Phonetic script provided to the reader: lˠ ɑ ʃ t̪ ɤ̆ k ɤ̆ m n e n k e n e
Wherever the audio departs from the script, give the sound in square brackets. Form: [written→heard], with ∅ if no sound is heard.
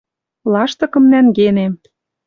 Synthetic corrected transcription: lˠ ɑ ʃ t̪ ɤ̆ k ɤ̆ m n [e→æ] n [k→ɡ] e n e